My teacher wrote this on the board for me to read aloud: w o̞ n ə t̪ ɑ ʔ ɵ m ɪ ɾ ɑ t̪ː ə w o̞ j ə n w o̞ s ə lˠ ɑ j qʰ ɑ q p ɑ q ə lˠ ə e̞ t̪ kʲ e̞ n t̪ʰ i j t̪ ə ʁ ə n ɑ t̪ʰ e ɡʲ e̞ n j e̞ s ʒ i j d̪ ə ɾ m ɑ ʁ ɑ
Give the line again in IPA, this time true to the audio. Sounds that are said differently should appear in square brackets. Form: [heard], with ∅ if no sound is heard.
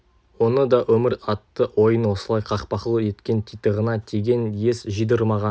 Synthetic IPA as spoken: w o̞ n ə [d̪] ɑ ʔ ɵ m ɪ ɾ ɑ t̪ː ə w o̞ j ə n w o̞ s ə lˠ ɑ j qʰ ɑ q p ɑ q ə lˠ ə e̞ t̪ kʲ e̞ n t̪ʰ i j t̪ ə ʁ ə n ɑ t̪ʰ e ɡʲ e̞ n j e̞ s ʒ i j d̪ ə ɾ m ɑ ʁ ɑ